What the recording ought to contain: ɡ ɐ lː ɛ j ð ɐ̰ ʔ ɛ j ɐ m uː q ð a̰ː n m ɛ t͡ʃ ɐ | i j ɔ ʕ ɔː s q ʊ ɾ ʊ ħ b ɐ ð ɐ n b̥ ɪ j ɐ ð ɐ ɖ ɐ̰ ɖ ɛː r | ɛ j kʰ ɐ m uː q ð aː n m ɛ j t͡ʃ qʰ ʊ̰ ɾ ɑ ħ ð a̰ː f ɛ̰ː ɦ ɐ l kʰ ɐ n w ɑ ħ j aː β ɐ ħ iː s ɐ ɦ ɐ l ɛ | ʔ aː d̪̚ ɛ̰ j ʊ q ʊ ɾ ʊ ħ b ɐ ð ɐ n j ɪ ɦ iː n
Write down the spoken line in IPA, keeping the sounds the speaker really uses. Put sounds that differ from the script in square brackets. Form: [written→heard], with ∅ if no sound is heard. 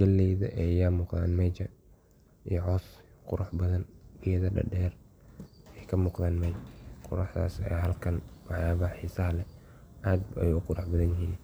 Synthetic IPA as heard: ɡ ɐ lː ɛ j ð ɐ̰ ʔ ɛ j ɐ m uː q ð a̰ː n m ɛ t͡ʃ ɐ | i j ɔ ʕ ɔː s q ʊ ɾ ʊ ħ b ɐ ð ɐ n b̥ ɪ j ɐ ð ɐ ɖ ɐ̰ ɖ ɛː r | ɛ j kʰ ɐ m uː q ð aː n m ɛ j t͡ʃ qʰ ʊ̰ ɾ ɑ ħ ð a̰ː [f→s] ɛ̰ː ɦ ɐ l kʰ ɐ n w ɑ ħ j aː β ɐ ħ iː s ɐ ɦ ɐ l ɛ | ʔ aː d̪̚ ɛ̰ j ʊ q ʊ ɾ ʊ ħ b ɐ ð ɐ n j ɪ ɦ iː n